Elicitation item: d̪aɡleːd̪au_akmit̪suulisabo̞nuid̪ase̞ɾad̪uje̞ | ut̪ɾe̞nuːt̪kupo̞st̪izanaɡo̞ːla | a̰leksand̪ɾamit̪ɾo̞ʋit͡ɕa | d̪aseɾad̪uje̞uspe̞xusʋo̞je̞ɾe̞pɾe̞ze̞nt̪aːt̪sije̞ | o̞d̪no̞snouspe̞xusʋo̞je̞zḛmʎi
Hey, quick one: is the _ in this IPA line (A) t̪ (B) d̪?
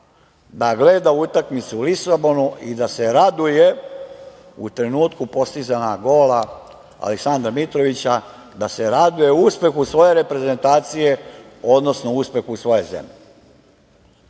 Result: A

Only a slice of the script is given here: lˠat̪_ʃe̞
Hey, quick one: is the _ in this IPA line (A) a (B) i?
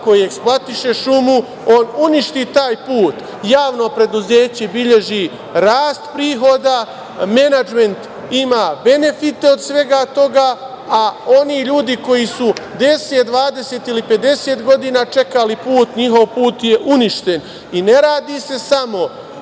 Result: B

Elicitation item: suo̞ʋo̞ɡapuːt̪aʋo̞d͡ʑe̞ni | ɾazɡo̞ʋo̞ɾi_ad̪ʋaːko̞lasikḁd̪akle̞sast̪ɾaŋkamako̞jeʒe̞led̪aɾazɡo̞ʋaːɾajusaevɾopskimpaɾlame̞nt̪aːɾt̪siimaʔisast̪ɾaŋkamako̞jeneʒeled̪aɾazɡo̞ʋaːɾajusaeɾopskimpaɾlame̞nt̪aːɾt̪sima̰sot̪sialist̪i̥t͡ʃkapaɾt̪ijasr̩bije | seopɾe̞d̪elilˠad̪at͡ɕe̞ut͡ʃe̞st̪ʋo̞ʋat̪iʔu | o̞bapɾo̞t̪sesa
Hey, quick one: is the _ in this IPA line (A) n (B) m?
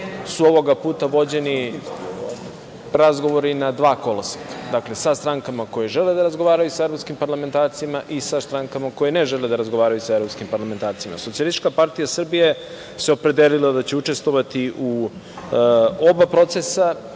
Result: A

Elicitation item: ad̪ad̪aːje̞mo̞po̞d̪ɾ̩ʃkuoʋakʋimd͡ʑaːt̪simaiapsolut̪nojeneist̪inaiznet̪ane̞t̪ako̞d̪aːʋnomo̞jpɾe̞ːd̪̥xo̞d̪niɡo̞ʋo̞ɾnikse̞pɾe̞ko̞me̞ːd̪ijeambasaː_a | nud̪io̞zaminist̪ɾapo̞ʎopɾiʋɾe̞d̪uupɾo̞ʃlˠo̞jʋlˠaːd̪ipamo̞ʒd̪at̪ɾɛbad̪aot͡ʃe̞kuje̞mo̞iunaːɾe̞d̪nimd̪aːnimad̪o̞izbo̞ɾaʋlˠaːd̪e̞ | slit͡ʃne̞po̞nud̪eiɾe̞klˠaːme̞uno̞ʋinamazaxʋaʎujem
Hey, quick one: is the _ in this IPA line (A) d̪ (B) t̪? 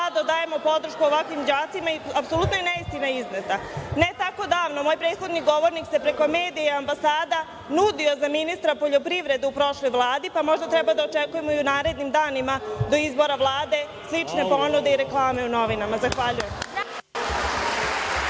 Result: A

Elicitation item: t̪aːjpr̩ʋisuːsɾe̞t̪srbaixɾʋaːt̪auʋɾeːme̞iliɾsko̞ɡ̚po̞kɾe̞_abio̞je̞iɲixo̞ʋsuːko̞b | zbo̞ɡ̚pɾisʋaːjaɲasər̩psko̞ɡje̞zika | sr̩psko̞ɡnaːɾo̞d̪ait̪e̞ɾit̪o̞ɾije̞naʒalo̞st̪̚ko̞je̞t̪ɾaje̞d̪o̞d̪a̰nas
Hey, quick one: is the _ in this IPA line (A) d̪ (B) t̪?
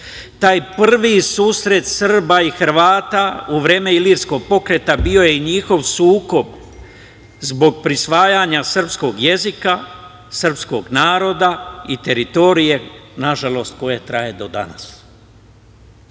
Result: B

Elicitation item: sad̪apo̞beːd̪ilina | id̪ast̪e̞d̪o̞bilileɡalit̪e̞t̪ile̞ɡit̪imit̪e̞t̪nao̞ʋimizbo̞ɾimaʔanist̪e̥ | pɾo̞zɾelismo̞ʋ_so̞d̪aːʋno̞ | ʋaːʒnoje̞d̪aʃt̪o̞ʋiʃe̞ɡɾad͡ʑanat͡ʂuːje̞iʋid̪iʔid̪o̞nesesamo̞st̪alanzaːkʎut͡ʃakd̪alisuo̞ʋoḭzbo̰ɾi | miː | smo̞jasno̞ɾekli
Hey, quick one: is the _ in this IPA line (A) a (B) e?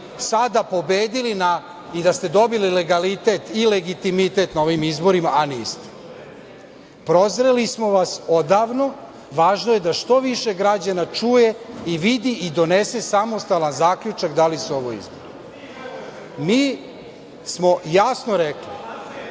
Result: A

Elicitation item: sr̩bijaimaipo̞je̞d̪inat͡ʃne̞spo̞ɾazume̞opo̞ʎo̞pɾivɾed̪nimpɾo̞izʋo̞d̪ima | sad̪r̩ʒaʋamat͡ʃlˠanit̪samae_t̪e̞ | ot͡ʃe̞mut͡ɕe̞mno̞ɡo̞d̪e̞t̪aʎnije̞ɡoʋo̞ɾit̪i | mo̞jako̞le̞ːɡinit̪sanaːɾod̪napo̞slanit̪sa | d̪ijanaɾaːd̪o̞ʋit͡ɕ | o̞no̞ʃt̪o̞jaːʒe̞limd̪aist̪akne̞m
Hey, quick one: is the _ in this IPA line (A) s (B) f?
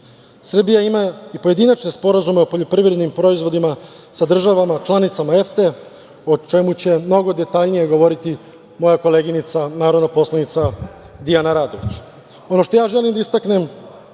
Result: B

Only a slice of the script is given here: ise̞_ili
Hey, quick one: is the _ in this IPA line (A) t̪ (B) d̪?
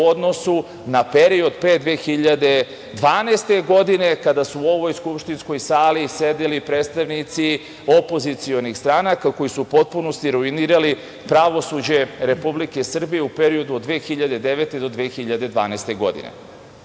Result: B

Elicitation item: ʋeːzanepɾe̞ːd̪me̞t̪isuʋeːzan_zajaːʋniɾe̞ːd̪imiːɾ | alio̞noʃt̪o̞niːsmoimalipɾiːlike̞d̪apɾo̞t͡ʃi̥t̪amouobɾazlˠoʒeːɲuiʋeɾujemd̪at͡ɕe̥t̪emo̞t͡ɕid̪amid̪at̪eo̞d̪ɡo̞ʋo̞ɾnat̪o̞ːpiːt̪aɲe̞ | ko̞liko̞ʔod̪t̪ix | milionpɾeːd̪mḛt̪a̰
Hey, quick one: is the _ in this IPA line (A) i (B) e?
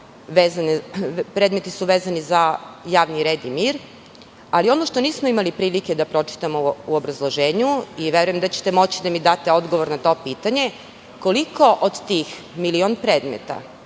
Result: A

